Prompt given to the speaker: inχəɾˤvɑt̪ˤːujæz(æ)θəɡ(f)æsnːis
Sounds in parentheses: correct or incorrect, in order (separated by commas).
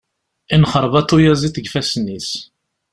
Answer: incorrect, correct